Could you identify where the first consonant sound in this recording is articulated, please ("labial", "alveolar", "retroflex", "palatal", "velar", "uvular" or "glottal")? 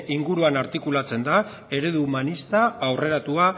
velar